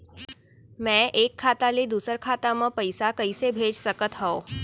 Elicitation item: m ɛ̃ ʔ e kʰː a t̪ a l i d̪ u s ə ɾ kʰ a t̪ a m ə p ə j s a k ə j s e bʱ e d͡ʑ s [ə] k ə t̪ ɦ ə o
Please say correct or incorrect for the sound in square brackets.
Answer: correct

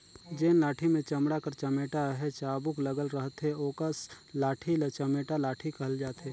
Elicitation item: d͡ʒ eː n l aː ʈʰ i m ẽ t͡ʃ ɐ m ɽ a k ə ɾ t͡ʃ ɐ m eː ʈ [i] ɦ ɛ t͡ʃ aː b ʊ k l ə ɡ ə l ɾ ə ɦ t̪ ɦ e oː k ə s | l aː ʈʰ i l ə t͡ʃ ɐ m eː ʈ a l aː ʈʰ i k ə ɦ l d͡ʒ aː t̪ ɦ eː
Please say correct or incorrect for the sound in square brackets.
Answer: incorrect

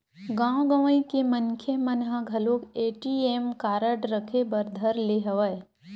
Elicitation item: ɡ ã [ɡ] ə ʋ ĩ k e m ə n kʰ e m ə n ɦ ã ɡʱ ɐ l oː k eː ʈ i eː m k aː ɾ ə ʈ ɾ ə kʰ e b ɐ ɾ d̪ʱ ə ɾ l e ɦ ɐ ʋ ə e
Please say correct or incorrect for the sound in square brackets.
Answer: correct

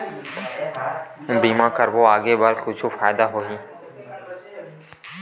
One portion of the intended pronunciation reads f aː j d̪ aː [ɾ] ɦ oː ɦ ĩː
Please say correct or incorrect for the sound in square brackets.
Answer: incorrect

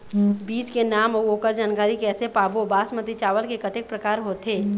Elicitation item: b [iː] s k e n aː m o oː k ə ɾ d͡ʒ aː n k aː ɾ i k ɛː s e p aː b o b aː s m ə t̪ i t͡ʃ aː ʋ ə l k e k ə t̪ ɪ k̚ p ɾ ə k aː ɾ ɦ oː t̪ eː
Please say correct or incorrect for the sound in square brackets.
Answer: correct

